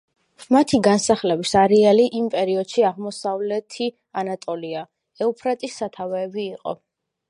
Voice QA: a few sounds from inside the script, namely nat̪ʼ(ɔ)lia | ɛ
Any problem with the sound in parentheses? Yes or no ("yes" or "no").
no